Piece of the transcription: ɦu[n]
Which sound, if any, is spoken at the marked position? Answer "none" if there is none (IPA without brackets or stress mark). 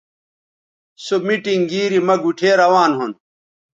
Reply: n